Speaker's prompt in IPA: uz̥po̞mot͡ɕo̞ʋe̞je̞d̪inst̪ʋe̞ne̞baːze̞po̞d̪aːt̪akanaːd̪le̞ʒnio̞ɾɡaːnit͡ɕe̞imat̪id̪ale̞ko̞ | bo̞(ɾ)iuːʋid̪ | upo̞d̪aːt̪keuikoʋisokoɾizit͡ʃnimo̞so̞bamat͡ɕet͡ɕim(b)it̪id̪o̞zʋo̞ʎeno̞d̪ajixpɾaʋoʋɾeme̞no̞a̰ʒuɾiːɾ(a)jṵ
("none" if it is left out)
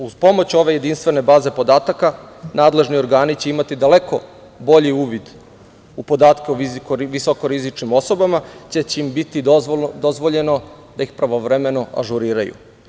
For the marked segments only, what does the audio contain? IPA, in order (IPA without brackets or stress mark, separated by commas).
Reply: ʎ, b, a